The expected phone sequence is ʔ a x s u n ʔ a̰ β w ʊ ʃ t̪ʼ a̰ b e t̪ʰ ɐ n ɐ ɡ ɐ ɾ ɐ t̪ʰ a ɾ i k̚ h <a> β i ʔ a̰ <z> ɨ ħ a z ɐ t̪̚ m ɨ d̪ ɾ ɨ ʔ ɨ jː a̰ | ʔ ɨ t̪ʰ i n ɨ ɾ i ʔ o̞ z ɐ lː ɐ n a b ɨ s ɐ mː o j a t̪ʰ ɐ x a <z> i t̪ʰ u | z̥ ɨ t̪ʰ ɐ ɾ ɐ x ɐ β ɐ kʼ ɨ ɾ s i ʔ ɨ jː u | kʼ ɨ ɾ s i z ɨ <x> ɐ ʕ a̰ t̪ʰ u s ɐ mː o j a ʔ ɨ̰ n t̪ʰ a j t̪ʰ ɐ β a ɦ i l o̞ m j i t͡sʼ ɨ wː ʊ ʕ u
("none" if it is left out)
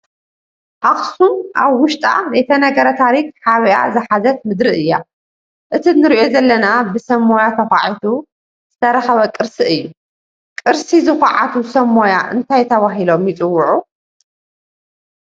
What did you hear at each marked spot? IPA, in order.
a, z, ʕ, x

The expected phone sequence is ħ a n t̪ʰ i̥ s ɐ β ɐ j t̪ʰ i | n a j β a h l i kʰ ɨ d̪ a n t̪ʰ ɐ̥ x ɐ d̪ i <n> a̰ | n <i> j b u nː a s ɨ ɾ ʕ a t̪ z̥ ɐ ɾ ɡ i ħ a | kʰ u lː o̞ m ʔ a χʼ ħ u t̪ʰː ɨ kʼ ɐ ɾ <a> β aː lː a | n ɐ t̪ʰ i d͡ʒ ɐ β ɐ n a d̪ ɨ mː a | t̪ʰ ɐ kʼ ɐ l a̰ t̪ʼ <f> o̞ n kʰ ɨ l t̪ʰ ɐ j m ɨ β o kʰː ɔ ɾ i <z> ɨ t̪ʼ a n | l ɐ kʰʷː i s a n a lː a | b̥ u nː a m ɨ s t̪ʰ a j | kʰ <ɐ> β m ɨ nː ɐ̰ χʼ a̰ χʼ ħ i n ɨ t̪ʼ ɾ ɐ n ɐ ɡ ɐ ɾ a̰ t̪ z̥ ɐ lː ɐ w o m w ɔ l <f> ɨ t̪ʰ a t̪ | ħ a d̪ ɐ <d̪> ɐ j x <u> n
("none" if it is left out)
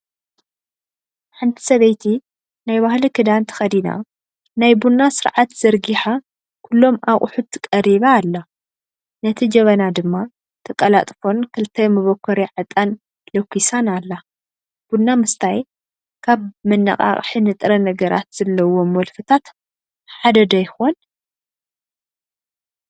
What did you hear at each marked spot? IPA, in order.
n, a, i, f, ʕ, a, f, d̪, o

